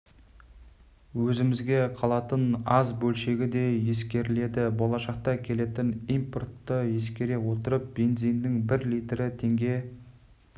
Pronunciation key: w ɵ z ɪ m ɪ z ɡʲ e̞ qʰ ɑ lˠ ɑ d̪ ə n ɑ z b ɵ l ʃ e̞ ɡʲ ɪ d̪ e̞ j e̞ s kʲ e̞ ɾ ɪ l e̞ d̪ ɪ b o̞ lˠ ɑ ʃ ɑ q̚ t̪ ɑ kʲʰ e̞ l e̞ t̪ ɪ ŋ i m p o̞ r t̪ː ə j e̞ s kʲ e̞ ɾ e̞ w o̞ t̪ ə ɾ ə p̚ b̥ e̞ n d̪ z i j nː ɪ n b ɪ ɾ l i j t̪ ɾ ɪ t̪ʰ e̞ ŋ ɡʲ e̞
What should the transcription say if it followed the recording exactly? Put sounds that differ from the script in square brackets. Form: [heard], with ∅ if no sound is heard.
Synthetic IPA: w ɵ z ɪ m ɪ z ɡʲ e̞ qʰ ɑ lˠ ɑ [t̪] ə n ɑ z b ɵ l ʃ e̞ ɡʲ ɪ d̪ e̞ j e̞ s kʲ e̞ ɾ ɪ l e̞ d̪ ɪ b o̞ lˠ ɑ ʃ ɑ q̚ t̪ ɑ kʲʰ e̞ l e̞ t̪ ɪ [n] i m p o̞ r t̪ː ə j e̞ s kʲ e̞ ɾ e̞ w o̞ t̪ ə ɾ ə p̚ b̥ e̞ n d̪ z i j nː ɪ [ŋ] b ɪ ɾ l i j t̪ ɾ ɪ t̪ʰ e̞ ŋ ɡʲ e̞